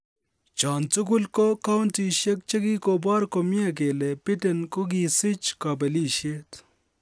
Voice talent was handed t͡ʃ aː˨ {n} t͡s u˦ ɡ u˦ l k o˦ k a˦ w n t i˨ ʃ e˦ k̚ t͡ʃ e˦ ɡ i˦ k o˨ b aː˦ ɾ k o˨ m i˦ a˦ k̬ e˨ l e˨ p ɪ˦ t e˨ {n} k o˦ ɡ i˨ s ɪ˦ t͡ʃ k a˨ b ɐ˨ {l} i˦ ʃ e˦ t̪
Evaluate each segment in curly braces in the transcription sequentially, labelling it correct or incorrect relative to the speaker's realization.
correct, correct, correct

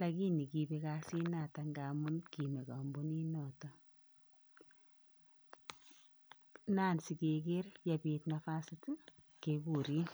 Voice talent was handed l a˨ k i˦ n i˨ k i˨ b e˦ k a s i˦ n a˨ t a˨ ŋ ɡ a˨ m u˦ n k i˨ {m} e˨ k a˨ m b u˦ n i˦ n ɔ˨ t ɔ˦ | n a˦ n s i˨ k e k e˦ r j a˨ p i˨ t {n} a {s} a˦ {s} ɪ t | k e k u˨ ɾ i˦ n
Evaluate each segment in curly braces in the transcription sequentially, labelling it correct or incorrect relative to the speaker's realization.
correct, correct, incorrect, correct

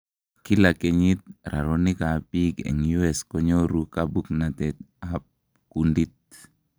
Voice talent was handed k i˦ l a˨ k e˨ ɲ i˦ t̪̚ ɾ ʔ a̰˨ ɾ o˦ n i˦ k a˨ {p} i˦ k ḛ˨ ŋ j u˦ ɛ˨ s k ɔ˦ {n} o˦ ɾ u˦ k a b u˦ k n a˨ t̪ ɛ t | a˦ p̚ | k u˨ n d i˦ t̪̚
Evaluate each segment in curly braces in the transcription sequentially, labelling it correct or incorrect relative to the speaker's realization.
correct, incorrect

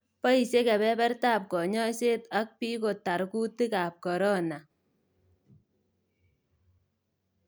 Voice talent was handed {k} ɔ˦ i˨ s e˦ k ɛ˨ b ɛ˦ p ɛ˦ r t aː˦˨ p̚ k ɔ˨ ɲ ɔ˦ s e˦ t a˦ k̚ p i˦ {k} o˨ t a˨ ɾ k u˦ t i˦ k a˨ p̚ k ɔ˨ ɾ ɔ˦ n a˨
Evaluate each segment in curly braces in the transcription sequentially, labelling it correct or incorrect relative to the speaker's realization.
incorrect, correct

